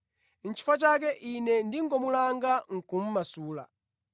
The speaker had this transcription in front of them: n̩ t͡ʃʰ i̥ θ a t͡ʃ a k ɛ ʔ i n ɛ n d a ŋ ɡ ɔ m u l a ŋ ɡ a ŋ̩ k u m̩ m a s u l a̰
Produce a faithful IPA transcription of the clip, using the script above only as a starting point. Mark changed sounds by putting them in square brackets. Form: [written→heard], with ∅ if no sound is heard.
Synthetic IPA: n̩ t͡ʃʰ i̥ [θ→f] a t͡ʃ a k ɛ ʔ i n ɛ n d [a→i] ŋ ɡ ɔ m u l a ŋ ɡ a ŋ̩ k u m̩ m a s [u→uː] l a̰